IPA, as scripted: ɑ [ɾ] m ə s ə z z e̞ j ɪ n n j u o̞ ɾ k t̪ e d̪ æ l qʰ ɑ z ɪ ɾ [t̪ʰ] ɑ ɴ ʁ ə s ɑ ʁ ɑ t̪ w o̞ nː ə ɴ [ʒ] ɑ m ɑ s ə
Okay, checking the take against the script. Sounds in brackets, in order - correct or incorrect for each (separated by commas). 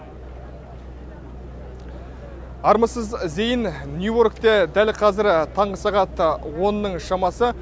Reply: correct, correct, incorrect